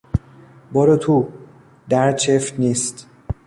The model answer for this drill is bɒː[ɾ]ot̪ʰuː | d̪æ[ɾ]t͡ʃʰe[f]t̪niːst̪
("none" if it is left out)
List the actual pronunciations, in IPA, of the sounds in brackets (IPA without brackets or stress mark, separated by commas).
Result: ɾ, ɾ, f